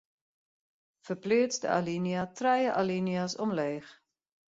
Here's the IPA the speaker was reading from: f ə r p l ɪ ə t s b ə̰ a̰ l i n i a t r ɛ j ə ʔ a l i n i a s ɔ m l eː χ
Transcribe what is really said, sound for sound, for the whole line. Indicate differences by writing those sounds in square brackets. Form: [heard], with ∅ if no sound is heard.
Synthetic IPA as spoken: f ə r p l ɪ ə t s [d] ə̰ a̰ l i n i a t r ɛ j ə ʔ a l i n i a s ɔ m l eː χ